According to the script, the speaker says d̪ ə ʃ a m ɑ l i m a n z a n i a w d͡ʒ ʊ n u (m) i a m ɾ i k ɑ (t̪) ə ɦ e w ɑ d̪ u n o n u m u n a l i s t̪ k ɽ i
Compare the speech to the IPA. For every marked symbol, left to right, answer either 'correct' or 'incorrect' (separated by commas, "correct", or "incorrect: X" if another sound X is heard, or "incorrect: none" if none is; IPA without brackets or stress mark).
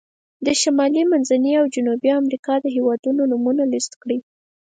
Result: incorrect: b, incorrect: d̪